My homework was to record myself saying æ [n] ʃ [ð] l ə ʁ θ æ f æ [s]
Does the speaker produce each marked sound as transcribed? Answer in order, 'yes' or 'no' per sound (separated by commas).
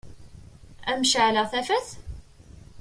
no, no, no